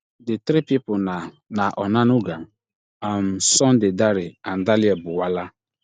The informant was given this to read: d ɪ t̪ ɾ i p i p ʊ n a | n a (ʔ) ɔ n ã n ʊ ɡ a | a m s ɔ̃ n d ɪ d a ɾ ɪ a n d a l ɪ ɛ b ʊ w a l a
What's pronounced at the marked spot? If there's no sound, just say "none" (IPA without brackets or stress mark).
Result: ʔ